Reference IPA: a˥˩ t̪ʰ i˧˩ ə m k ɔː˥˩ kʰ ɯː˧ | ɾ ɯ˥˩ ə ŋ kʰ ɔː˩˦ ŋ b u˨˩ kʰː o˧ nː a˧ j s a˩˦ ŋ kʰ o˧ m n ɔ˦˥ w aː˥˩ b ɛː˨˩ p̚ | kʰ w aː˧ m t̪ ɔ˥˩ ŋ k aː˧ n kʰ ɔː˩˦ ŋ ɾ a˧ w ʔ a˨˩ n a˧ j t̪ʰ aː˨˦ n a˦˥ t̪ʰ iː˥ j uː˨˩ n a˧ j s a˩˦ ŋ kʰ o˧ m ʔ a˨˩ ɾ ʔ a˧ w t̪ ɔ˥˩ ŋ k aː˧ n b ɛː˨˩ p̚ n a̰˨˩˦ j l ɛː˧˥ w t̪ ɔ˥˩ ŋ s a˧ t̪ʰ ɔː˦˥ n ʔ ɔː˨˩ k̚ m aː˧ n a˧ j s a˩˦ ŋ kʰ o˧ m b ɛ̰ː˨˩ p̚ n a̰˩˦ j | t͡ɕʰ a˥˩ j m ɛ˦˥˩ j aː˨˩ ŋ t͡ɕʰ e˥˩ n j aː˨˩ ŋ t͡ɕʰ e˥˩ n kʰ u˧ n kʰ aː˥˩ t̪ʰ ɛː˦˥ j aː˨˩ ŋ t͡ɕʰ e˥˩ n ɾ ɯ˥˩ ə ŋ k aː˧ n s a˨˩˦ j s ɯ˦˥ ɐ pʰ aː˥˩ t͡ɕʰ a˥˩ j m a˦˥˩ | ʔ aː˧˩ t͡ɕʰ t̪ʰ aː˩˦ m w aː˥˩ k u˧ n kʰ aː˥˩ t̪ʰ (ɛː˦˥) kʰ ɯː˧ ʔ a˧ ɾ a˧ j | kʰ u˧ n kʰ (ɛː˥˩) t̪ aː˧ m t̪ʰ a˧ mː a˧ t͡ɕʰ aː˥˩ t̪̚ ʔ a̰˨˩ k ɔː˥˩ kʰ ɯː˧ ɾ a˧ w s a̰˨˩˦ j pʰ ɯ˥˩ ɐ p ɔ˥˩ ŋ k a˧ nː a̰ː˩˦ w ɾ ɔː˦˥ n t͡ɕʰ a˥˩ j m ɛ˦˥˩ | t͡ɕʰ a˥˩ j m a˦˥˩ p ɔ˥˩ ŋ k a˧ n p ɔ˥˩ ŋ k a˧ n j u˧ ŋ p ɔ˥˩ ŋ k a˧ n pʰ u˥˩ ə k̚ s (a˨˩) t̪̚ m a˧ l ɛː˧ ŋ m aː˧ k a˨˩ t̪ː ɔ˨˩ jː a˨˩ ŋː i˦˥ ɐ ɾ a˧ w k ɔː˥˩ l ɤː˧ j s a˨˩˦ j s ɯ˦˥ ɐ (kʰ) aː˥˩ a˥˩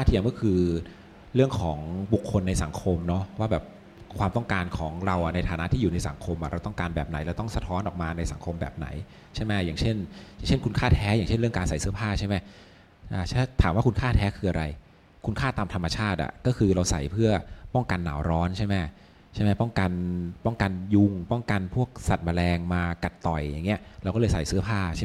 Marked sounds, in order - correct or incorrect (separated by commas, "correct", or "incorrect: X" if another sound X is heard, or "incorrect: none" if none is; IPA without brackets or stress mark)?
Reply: correct, incorrect: aː˥˩, correct, incorrect: pʰ